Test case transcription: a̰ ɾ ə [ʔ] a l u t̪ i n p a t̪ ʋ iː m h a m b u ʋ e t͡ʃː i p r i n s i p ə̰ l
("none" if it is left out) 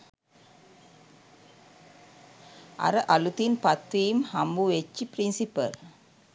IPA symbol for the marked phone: ʔ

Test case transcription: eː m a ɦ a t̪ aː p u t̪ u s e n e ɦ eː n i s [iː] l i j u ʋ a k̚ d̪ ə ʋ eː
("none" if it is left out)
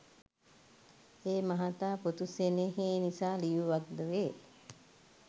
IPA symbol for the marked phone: aː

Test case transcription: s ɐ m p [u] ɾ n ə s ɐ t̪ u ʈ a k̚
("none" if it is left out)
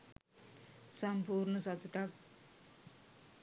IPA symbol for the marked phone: uː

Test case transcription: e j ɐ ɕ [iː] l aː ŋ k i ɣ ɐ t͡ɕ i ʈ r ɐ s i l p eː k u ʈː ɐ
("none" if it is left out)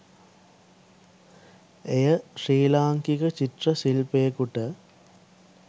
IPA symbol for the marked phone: iː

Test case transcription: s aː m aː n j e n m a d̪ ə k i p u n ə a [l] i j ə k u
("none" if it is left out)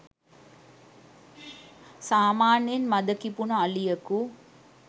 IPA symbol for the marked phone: l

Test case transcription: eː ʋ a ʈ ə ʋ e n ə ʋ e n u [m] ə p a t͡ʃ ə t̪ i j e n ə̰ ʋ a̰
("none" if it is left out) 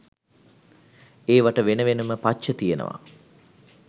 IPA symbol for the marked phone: m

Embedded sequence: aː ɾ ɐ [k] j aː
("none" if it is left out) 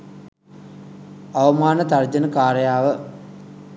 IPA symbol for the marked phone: none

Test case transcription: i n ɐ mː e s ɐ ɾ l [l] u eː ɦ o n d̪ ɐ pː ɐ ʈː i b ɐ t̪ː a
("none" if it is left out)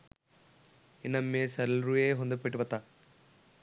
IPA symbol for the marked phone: ɾ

